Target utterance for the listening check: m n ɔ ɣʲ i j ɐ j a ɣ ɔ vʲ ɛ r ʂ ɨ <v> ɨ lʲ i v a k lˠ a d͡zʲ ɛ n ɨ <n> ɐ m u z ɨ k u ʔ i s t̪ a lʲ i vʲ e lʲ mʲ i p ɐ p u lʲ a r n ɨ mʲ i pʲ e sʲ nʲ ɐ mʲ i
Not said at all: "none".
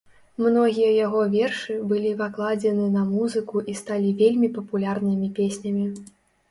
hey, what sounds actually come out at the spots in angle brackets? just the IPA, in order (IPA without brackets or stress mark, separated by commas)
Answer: b, n